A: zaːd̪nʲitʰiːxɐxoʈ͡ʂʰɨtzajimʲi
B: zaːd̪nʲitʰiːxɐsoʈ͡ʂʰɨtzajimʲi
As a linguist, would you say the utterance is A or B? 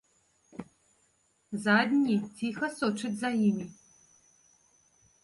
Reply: B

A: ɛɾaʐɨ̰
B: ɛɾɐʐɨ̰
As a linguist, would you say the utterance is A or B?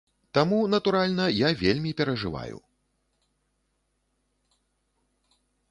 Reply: B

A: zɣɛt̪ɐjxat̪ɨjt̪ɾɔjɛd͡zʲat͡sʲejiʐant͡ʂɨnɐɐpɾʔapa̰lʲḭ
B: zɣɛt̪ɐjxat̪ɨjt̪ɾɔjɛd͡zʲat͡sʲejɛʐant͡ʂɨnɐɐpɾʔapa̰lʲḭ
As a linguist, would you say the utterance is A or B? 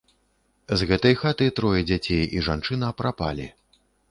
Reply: A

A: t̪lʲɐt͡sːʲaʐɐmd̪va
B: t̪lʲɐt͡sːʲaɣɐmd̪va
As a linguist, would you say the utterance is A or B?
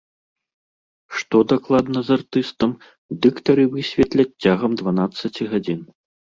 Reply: B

